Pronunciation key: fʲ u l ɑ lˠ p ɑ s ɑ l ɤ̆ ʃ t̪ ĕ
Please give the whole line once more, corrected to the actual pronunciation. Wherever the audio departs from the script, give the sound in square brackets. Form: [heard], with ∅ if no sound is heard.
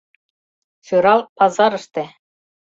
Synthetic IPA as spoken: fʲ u [ɾ] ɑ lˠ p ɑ [z] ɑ [ɾ] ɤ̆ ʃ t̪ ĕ